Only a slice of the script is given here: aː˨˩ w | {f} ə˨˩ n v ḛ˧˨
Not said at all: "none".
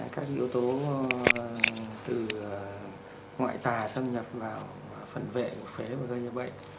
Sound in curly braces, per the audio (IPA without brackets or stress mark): f